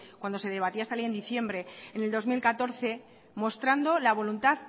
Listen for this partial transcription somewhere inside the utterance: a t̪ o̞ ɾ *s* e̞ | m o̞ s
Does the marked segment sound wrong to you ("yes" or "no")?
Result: yes